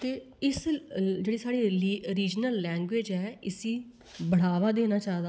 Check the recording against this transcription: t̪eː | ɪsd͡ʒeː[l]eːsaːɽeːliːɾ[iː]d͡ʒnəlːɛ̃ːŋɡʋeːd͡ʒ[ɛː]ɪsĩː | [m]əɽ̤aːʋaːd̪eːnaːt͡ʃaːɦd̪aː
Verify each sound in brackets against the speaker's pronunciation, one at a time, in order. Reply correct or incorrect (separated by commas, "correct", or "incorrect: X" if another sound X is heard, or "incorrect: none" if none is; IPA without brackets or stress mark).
incorrect: ɽ, correct, correct, incorrect: b